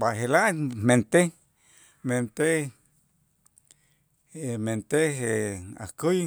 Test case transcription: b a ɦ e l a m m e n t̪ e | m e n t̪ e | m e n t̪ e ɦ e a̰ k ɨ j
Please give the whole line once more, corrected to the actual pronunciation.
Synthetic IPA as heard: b a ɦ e l a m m e n t̪ e | m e n t̪ e | m e n t̪ e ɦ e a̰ k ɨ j